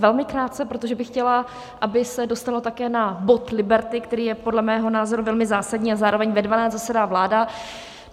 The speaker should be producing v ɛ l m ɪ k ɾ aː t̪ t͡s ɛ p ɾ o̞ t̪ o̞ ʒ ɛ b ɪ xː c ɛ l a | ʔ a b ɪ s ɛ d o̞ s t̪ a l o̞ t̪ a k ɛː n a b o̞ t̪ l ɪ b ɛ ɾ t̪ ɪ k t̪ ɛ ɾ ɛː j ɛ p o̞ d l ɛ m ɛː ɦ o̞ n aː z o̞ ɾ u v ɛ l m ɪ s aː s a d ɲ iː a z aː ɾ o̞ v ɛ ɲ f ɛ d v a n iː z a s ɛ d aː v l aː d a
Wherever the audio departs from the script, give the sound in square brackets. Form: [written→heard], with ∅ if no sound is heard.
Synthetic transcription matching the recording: v ɛ l m ɪ k ɾ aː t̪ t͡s ɛ p ɾ o̞ t̪ o̞ ʒ ɛ b ɪ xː c ɛ l a | ʔ a b ɪ s ɛ d o̞ s t̪ a l o̞ t̪ a k ɛː n a b o̞ t̪ l ɪ b ɛ ɾ t̪ ɪ k t̪ ɛ ɾ [ɛː→iː] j ɛ p o̞ d l ɛ m ɛː ɦ o̞ n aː z o̞ ɾ u v ɛ l m ɪ [s→z] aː s a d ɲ iː a z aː ɾ o̞ v ɛ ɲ [f→v] ɛ d v a n [iː→aː] z a s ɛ d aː v l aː d a